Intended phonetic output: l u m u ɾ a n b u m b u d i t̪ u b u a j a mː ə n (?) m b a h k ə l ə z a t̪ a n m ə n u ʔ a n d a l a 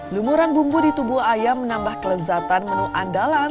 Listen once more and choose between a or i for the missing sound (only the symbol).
a